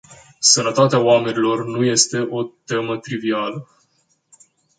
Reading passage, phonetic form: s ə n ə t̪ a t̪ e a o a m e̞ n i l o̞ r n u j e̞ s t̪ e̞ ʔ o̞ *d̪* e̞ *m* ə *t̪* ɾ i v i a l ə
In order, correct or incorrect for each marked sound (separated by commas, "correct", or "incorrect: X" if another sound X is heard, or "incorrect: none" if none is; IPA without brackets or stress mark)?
incorrect: t̪, correct, correct